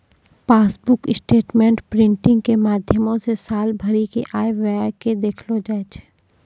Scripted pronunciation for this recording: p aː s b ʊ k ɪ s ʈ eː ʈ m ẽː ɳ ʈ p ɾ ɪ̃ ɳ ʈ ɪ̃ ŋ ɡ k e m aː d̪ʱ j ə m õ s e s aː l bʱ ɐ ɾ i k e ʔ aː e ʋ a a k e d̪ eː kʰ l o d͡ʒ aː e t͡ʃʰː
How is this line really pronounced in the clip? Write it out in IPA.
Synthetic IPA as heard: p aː s b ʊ k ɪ s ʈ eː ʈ m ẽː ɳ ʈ p ɾ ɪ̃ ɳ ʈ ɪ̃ ŋ ɡ k e m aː d̪ʱ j ə m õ s e s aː l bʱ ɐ ɾ i k e ʔ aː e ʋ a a k e d̪ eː kʰ l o d͡ʒ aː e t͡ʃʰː